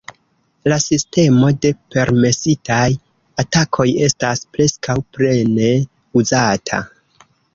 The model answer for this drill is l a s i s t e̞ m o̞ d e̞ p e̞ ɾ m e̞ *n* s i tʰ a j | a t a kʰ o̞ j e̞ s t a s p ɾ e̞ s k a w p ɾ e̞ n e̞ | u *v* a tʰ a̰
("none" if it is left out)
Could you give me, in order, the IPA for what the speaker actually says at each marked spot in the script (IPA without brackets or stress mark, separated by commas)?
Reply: none, z